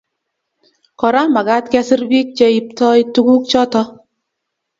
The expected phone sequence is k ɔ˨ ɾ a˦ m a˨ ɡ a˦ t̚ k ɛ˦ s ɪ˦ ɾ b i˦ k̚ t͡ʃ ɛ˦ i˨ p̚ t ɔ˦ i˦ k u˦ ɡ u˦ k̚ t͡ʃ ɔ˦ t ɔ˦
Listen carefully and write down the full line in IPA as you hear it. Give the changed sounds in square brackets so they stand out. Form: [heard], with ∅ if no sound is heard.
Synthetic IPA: k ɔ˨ ɾ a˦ m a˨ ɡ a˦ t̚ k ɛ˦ s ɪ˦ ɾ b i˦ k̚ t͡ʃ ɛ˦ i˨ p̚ t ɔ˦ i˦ [t] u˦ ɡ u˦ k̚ t͡ʃ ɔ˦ t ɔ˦